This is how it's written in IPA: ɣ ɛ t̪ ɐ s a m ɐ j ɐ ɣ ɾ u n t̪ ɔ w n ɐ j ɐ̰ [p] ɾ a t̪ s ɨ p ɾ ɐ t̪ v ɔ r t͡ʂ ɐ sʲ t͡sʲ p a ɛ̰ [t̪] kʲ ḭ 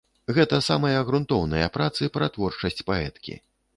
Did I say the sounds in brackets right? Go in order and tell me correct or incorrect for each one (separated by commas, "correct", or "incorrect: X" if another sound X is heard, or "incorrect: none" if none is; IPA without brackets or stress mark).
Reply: correct, correct